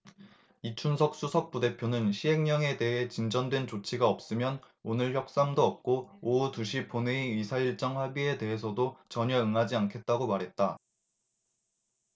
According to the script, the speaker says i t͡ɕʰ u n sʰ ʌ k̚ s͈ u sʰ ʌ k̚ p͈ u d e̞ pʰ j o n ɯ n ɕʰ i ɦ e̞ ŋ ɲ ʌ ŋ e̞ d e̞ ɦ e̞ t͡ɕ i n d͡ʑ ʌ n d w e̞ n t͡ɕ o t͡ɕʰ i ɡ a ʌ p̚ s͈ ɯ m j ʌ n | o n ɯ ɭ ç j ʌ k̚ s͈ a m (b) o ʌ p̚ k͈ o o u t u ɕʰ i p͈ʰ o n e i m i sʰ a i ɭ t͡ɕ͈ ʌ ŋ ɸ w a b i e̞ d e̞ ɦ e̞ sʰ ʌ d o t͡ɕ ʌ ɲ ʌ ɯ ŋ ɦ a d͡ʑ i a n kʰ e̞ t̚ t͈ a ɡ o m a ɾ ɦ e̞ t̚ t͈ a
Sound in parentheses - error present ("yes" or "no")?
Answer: yes